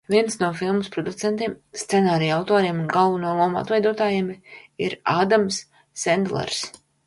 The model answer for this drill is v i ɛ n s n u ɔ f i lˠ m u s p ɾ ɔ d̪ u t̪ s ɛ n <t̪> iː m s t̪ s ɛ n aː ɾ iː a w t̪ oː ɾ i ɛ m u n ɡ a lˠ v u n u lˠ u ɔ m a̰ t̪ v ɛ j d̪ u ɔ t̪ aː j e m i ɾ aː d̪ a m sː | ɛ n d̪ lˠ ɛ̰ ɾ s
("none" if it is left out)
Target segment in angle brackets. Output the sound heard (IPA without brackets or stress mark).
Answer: t̪